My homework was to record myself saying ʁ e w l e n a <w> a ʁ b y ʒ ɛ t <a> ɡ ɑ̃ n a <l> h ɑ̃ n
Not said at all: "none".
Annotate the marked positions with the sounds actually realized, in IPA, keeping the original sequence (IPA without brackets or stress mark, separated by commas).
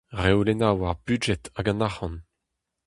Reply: w, a, none